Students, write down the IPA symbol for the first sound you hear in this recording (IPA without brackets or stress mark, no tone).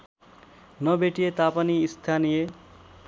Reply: n